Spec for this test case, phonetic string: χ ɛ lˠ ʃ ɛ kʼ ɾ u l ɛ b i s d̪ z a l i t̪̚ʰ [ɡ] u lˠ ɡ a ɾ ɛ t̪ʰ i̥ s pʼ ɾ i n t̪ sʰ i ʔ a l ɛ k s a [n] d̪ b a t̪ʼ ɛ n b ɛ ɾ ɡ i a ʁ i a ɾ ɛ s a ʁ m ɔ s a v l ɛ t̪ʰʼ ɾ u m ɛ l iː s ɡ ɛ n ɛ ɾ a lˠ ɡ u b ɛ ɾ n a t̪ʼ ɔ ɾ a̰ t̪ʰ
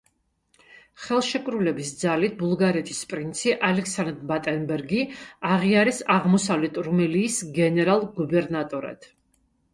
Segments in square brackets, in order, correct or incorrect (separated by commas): incorrect, correct